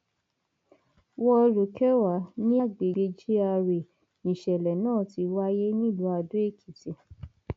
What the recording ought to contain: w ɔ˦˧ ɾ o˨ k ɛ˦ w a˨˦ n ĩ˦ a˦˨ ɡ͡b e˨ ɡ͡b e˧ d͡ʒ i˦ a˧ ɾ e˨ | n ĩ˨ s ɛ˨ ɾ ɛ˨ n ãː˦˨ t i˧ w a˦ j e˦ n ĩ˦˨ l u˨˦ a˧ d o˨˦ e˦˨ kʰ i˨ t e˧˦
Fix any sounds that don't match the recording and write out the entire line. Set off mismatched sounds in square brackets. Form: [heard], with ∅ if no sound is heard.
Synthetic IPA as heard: w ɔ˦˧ ɾ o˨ k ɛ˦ w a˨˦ n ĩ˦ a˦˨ ɡ͡b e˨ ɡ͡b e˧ d͡ʒ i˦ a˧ ɾ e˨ | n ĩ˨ [ʃ] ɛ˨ [l] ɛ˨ n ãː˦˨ t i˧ w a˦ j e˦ n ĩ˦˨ l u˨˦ a˧ d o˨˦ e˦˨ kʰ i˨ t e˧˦